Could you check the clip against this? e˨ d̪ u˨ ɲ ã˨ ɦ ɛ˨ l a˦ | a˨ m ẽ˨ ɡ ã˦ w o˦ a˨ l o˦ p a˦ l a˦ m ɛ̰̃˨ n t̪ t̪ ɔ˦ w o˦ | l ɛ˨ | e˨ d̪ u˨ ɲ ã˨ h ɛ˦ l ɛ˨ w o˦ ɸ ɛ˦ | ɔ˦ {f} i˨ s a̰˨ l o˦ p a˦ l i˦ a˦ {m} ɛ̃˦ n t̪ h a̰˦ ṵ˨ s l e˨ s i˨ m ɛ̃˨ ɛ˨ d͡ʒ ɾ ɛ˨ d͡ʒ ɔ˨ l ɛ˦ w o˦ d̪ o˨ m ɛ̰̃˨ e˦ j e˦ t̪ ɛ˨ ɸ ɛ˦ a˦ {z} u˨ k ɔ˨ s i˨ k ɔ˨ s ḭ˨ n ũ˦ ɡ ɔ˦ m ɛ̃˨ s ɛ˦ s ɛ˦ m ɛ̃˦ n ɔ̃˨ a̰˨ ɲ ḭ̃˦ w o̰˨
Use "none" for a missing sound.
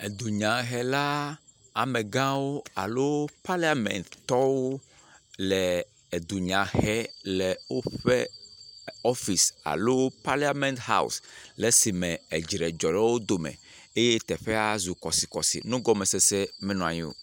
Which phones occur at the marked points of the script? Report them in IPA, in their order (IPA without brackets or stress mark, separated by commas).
f, m, z